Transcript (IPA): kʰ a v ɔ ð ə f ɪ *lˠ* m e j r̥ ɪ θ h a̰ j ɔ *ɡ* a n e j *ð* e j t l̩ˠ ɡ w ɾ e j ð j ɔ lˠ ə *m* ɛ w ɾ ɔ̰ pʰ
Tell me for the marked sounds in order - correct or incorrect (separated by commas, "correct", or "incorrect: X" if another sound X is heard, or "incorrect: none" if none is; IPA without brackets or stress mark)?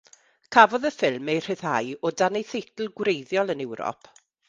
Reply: correct, incorrect: d, incorrect: θ, incorrect: n